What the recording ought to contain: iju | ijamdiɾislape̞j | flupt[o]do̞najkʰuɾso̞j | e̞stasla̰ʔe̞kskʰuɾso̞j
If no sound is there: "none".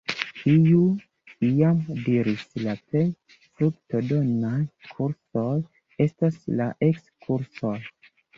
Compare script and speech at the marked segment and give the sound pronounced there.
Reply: o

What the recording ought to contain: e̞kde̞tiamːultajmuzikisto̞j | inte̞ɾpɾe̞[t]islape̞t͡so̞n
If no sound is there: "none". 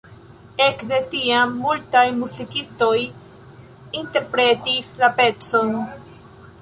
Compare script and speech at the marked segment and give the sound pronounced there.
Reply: t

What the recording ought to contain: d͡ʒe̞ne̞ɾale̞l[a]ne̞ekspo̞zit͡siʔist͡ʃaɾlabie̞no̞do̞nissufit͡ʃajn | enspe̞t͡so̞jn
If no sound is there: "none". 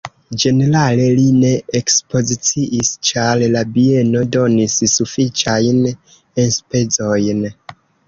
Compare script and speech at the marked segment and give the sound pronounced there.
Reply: i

